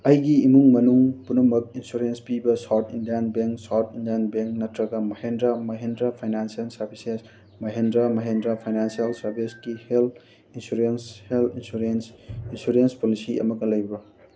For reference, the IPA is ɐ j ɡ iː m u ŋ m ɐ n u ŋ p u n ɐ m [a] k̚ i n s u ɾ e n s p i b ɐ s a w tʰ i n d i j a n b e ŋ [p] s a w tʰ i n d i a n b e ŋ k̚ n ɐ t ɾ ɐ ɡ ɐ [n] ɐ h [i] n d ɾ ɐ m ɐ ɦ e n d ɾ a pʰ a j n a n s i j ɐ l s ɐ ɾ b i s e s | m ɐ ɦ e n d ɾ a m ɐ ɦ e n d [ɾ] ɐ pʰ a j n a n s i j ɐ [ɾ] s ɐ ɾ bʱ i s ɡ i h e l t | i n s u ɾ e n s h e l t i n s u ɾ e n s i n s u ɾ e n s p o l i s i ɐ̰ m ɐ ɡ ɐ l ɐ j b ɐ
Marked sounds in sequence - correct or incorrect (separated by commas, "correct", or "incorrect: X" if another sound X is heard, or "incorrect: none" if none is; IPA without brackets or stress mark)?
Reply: incorrect: ɐ, incorrect: k, incorrect: m, incorrect: e, correct, incorrect: l